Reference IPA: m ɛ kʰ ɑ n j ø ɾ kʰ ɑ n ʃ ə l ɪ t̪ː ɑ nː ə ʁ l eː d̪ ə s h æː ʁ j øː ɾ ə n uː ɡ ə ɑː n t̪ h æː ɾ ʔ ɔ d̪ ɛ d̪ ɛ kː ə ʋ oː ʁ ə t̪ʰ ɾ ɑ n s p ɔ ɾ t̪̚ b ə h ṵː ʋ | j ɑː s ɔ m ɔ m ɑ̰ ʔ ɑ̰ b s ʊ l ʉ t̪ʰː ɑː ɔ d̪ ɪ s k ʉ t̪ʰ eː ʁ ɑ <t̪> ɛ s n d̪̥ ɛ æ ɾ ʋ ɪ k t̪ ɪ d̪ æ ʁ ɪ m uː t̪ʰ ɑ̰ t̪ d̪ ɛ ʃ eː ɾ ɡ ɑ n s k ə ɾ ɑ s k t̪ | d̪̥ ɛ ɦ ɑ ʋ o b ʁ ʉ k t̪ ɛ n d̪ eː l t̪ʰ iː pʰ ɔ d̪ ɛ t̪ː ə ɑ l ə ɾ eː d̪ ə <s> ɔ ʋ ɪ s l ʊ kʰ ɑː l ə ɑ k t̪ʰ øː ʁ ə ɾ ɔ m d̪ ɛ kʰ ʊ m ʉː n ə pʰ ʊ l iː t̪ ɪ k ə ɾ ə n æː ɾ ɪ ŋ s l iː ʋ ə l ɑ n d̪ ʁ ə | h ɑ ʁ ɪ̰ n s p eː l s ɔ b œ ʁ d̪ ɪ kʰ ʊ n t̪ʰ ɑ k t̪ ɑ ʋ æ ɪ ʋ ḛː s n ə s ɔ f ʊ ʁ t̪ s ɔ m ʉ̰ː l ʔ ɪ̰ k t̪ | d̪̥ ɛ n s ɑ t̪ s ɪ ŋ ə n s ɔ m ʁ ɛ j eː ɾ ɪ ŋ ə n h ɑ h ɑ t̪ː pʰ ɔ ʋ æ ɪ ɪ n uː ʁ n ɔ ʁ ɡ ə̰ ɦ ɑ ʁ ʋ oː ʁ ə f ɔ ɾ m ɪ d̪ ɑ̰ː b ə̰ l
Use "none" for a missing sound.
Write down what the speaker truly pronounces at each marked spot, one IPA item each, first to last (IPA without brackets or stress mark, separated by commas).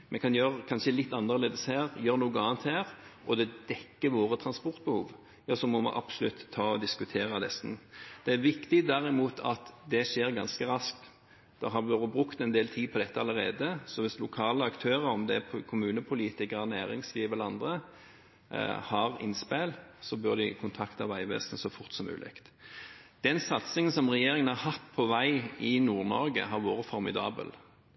d̪, s